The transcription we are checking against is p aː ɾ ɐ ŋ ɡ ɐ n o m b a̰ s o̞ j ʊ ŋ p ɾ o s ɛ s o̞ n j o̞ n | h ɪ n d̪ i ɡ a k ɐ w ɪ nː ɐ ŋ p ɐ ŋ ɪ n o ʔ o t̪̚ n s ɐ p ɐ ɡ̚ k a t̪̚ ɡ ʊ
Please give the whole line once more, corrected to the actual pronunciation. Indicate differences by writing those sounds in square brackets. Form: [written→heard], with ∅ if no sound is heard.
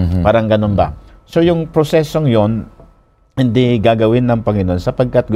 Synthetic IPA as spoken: p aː ɾ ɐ ŋ ɡ ɐ n o [m→n] b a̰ s o̞ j ʊ ŋ p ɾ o s ɛ s o̞ [n→ŋ] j o̞ n | h ɪ n d̪ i ɡ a [k→ɡ] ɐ w ɪ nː ɐ ŋ p ɐ ŋ ɪ n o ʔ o [t̪̚→∅] n s ɐ p ɐ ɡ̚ k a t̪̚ ɡ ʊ